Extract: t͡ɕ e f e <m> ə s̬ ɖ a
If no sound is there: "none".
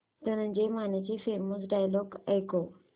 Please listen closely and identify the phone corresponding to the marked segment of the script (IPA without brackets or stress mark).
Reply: m